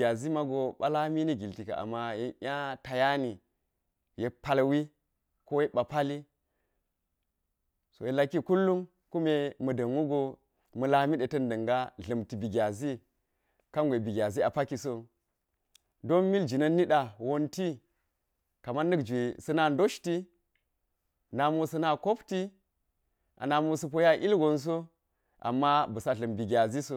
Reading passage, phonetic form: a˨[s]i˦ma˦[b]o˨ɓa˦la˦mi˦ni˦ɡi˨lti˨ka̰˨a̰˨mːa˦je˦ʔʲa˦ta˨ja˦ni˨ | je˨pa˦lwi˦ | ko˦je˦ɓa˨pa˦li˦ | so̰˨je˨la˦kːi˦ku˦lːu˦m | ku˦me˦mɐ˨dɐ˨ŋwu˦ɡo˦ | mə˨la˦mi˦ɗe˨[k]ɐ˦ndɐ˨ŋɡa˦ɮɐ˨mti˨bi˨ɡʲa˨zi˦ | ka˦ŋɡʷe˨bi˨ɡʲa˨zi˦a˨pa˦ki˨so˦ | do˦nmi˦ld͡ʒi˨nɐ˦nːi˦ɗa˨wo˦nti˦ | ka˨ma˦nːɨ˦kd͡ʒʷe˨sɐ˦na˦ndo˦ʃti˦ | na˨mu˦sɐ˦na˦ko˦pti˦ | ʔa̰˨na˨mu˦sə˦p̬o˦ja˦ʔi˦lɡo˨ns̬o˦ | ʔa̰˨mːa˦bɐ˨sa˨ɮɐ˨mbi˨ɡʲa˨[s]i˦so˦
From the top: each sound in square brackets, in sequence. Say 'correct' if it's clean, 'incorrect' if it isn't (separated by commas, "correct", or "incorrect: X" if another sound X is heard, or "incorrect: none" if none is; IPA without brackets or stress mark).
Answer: incorrect: z, incorrect: ɡ, incorrect: t, incorrect: z